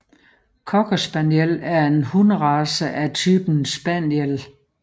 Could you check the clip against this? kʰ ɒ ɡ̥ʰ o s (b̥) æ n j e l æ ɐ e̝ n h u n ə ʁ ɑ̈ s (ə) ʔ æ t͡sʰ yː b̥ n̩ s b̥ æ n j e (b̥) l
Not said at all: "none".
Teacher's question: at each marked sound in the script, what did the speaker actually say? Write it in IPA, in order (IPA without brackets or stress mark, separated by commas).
b̥, ə, none